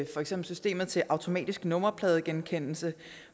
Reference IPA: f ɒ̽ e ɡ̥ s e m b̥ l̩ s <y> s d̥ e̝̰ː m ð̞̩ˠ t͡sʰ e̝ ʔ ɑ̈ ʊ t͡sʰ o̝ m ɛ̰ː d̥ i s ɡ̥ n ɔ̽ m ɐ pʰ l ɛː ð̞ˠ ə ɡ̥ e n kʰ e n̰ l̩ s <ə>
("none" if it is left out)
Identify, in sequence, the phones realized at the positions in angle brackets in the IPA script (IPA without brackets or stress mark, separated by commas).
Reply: y, ə